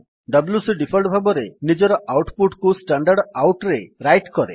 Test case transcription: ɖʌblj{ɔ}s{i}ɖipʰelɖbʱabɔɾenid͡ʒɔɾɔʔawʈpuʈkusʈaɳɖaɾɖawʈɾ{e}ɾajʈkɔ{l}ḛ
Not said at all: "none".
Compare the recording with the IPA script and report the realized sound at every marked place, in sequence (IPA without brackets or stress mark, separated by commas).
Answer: u, i, e, ɾ